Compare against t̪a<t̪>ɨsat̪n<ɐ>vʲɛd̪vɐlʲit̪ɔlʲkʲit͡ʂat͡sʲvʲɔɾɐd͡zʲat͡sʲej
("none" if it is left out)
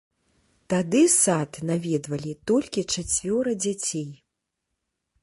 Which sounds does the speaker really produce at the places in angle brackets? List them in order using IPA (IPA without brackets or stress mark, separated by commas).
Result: d̪, a